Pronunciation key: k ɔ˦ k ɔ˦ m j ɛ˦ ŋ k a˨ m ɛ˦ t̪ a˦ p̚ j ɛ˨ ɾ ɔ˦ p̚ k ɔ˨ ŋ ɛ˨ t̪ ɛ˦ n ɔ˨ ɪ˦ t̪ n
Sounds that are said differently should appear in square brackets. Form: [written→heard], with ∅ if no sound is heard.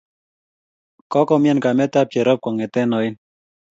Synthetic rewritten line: k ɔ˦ k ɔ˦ m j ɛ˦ [ŋ→n] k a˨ m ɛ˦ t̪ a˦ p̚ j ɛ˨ ɾ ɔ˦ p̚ k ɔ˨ ŋ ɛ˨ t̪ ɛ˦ n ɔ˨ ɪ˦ [t̪→∅] n